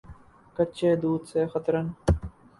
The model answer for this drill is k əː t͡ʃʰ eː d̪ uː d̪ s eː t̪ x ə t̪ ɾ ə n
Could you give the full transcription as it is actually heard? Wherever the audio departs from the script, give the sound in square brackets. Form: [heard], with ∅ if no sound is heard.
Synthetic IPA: k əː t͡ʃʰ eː d̪ uː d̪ s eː [∅] x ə t̪ ɾ ə n